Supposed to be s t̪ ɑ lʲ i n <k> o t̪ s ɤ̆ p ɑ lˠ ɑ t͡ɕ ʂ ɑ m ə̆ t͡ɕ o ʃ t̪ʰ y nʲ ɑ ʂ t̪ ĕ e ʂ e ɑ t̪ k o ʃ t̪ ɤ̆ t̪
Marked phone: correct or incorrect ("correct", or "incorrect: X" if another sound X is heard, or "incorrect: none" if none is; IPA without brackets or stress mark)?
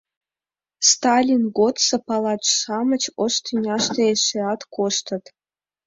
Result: incorrect: ɡ